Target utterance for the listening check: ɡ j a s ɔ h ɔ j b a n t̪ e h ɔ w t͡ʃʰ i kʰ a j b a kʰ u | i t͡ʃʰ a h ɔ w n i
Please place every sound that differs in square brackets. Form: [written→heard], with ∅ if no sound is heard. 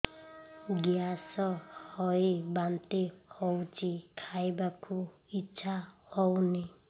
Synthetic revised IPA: ɡ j a s ɔ h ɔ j b a n t̪ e h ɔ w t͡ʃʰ i kʰ a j b a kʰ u | i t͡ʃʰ a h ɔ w n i